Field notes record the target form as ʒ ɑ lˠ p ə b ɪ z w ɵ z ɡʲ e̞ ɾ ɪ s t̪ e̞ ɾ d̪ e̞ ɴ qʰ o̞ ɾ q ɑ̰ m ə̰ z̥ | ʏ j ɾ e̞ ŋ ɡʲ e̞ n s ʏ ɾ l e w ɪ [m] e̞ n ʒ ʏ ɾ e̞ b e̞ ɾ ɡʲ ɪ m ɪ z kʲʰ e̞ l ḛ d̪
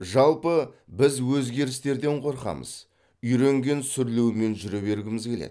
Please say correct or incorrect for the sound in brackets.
correct